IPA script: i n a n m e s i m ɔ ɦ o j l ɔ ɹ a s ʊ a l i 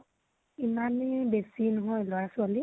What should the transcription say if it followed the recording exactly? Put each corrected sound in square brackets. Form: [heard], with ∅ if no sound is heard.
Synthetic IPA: i [m] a n [b] e s i [n] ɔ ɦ [ɔ] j l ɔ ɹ a s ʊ a l i